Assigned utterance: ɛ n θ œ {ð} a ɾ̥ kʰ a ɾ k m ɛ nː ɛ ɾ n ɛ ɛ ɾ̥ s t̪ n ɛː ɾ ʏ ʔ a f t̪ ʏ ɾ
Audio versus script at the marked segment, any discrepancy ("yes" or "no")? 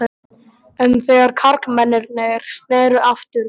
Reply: yes